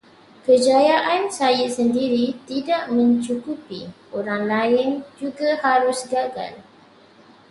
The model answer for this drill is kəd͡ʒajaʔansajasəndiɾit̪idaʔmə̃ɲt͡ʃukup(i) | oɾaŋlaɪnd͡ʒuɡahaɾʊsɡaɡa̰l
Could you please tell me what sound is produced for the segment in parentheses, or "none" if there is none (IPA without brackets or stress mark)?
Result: i